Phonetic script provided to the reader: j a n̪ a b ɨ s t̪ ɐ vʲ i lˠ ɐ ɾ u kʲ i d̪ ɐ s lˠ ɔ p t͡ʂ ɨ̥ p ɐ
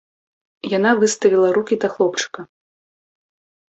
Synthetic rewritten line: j a n̪ a v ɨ s t̪ ɐ vʲ i lˠ ɐ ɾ u kʲ i d̪ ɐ x lˠ ɔ p t͡ʂ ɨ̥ k ɐ